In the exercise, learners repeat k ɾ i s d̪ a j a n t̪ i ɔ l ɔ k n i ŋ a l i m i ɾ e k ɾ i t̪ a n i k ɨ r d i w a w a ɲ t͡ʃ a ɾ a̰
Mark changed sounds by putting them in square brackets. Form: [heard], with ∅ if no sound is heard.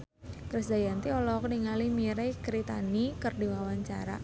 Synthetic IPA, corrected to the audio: k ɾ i s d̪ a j a n t̪ i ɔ l ɔ k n i ŋ a l i m i ɾ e k ɾ i t̪ a n i k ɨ r d i w a w a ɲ t͡ʃ a ɾ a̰

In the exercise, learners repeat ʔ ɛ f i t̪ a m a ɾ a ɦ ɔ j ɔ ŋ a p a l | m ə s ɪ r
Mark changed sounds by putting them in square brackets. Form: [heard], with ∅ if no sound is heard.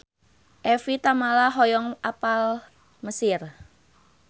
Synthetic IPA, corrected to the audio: ʔ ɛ f i t̪ a m a [l] a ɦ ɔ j ɔ ŋ a p a l | m ə s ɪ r

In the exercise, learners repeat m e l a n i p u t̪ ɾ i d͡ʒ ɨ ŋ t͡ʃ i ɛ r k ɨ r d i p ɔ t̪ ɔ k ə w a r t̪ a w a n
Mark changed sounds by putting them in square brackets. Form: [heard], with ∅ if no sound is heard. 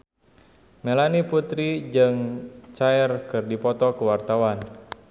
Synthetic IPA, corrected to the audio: m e l a n i p u t̪ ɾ i d͡ʒ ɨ ŋ t͡ʃ [a] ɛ r k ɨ r d i p ɔ t̪ ɔ k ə w a r t̪ a w a n

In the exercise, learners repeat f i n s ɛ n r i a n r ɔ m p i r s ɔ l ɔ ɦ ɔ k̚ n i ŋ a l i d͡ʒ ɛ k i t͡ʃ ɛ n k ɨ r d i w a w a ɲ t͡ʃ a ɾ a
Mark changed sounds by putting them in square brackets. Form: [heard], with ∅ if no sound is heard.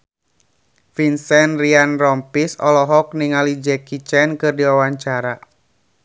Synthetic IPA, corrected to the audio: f i n s ɛ n r i a n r ɔ m p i [∅] s ɔ l ɔ ɦ ɔ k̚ n i ŋ a l i d͡ʒ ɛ k i t͡ʃ ɛ n k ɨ r d i w a w a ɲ t͡ʃ a ɾ a

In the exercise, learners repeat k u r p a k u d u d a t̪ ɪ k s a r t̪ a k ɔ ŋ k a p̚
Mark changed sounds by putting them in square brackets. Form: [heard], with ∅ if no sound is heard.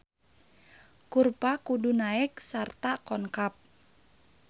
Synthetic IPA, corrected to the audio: k u r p a k u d u [n] a [∅] ɪ k s a r t̪ a k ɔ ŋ k a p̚

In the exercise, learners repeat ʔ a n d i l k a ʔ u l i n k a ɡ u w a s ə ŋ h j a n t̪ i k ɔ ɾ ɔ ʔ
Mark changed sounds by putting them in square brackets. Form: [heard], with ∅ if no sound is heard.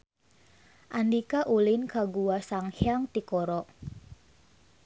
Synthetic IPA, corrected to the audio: ʔ a n d i [∅] k a ʔ u l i n k a ɡ u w a s [a] ŋ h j a [ŋ] t̪ i k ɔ ɾ ɔ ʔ

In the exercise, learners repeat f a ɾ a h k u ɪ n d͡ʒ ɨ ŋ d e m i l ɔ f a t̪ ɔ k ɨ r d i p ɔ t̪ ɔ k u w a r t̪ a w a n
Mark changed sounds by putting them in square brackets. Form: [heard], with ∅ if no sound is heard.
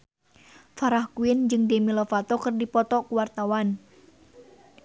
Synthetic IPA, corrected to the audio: f a ɾ a h k u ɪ n d͡ʒ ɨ ŋ d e m i l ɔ f a t̪ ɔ k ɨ r d i p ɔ t̪ ɔ k u w a r t̪ a w a n

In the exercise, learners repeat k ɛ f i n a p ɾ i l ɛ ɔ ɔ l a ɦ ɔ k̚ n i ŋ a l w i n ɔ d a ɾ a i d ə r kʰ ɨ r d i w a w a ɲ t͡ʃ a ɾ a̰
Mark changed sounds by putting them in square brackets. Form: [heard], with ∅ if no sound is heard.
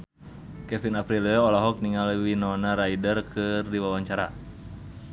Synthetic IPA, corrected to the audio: k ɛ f i n a p ɾ i l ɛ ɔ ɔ l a ɦ ɔ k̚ n i ŋ a l w i n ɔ [n] a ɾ a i d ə r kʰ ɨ r d i w a w a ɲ t͡ʃ a ɾ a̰

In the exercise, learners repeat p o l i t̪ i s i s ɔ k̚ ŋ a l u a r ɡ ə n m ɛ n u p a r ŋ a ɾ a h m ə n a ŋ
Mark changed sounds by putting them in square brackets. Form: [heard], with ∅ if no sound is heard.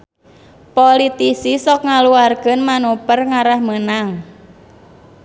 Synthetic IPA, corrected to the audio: p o l i t̪ i s i s ɔ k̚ ŋ a l u a r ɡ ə n m [a] n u p [ə] r ŋ a ɾ a h m ə n a ŋ

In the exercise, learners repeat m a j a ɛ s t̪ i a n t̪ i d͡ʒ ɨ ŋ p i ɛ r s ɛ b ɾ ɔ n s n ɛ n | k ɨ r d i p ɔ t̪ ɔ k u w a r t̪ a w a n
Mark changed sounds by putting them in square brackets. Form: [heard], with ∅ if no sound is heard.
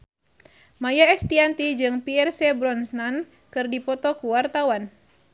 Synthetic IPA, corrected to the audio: m a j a ɛ s t̪ i a n t̪ i d͡ʒ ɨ ŋ p i ɛ r s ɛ b ɾ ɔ n s n [a] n | k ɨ r d i p ɔ t̪ ɔ k u w a r t̪ a w a n

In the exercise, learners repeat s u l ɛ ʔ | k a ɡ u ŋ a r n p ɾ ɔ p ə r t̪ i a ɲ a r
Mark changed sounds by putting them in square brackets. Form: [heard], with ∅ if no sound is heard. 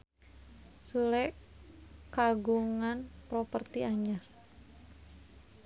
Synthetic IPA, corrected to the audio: s u l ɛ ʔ | k a ɡ u ŋ a [∅] n p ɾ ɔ p ə r t̪ i a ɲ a r

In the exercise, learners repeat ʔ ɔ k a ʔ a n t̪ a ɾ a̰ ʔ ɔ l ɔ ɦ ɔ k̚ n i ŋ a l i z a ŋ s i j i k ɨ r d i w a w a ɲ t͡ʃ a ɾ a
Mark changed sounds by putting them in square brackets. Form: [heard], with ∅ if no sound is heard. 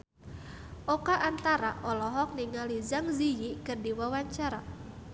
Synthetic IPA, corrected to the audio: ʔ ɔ k a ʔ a n t̪ a ɾ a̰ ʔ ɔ l ɔ ɦ ɔ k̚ n i ŋ a l i z a ŋ [z] i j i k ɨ r d i w a w a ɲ t͡ʃ a ɾ a

